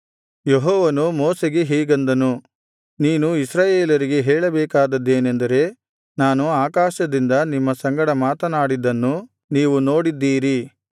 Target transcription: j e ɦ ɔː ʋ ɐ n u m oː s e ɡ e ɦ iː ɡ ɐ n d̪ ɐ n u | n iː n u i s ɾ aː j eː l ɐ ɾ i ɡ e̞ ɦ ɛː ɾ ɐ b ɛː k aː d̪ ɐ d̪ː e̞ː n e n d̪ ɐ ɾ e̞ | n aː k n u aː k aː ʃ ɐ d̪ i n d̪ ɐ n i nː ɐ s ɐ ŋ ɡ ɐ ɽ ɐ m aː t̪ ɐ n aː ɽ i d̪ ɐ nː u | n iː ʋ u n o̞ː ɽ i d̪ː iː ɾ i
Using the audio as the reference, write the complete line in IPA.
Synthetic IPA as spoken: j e ɦ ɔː ʋ ɐ n u m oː s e ɡ e ɦ iː ɡ ɐ n d̪ ɐ n u | n iː n u i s ɾ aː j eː l ɐ ɾ i ɡ e̞ ɦ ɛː ɭ ɐ b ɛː k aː d̪ ɐ d̪ː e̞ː n e n d̪ ɐ ɾ e̞ | n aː n u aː k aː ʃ ɐ d̪ i n d̪ ɐ n i mː ɐ s ɐ ŋ ɡ ɐ ɽ ɐ m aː t̪ ɐ n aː ɽ i d̪ ɐ nː u | n iː ʋ u n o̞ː ɽ i d̪ː iː ɾ i